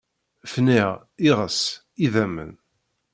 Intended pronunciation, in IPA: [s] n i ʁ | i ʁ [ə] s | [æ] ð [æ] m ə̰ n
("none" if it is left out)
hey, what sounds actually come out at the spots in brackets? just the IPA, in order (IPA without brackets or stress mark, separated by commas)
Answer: f, ə, i, æ